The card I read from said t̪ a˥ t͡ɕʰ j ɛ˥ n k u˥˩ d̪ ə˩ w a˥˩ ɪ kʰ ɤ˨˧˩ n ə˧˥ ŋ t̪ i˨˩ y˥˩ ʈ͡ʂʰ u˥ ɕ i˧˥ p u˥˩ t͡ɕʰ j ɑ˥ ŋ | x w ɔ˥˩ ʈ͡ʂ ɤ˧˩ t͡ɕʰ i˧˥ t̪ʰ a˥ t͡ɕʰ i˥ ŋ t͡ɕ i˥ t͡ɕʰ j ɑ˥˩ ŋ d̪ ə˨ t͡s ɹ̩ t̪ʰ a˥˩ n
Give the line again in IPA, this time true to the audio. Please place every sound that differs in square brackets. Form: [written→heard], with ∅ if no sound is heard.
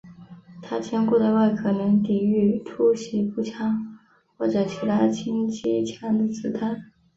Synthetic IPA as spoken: [t̪→t̪ʰ] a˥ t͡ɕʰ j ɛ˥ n k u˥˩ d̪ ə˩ w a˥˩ ɪ kʰ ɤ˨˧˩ n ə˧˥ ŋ t̪ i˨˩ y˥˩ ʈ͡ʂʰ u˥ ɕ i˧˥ p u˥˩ t͡ɕʰ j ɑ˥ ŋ | x w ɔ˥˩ ʈ͡ʂ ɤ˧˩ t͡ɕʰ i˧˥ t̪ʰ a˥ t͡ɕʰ i˥ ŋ t͡ɕ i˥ t͡ɕʰ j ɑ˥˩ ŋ d̪ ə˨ t͡s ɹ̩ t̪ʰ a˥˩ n